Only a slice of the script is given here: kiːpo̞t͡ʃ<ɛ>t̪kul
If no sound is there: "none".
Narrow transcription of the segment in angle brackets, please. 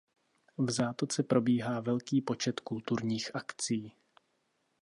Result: ɛ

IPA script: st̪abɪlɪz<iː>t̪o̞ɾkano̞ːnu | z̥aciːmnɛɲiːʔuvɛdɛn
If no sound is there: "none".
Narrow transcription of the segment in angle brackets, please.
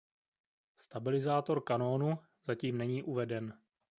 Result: aː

